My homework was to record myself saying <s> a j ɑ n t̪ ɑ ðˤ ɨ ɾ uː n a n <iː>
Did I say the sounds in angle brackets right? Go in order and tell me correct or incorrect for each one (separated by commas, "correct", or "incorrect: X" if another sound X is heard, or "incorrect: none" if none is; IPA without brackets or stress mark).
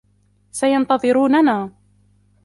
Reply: correct, incorrect: aː